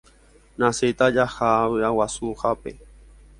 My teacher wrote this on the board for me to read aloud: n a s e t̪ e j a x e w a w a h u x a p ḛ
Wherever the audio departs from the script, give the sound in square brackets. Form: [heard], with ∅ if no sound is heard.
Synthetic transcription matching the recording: n a s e t̪ [a] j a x [a] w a w a [s] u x a p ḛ